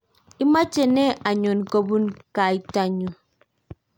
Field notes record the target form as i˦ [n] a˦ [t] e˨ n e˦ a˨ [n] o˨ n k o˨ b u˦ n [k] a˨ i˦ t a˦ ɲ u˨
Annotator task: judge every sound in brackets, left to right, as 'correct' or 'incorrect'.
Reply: incorrect: m, incorrect: t͡ʃ, incorrect: ɲ, correct

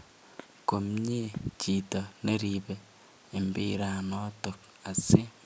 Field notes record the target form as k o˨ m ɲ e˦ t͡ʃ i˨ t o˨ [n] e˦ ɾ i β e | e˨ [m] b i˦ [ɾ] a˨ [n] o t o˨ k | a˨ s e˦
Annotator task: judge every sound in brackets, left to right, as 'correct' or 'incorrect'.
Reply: correct, correct, correct, correct

